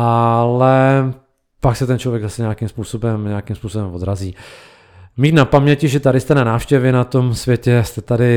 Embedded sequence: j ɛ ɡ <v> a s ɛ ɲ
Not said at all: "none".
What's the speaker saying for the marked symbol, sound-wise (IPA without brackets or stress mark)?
z